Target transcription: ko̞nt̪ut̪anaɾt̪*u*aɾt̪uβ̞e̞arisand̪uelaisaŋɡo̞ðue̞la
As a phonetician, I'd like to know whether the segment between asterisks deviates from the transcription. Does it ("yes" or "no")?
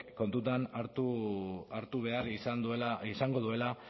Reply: no